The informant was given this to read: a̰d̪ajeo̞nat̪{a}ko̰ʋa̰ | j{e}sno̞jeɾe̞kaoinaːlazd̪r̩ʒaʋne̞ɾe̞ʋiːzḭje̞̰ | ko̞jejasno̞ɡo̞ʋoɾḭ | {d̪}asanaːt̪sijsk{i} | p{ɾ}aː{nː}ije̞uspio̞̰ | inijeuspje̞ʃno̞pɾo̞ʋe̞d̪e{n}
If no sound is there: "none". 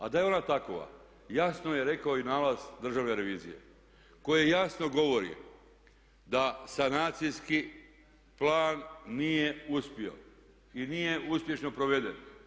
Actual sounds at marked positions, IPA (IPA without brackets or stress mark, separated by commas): a, a, d̪, i, l, nː, n